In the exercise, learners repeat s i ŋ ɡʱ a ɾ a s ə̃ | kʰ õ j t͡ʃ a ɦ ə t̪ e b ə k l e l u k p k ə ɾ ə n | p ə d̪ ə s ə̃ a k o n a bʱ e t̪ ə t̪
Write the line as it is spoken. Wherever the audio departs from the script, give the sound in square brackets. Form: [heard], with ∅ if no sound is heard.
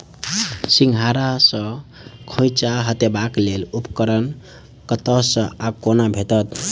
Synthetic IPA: s i ŋ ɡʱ a ɾ a s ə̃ | kʰ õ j t͡ʃ a ɦ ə t̪ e b [a] k l e l u [∅] p k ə ɾ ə n | [k] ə [t̪] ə s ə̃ a k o n a bʱ e t̪ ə t̪